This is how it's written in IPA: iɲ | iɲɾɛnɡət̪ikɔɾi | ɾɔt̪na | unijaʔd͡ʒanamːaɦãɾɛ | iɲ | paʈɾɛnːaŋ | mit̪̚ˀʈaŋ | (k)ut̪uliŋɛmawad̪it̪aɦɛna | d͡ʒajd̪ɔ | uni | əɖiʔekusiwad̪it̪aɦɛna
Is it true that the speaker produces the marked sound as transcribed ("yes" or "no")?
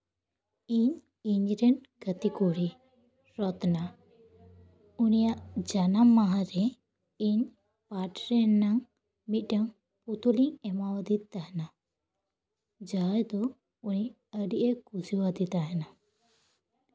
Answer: no